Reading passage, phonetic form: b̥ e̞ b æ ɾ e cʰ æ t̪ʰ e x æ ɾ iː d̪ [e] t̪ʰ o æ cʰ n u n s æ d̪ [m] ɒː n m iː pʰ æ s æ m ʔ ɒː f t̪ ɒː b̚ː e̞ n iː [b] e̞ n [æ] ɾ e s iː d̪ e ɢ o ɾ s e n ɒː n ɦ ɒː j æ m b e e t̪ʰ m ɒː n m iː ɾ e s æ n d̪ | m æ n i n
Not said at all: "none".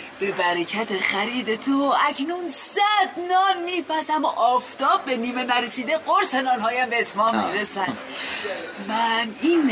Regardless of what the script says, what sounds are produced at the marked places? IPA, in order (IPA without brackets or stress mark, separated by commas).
e, n, m, æ